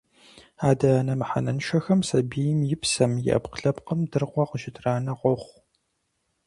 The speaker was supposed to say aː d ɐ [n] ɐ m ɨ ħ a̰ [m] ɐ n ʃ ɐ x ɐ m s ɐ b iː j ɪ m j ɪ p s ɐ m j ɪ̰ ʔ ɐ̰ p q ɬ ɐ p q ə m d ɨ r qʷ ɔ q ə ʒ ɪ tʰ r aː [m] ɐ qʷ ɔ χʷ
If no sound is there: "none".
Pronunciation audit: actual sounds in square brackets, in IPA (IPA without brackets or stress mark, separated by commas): n, n, n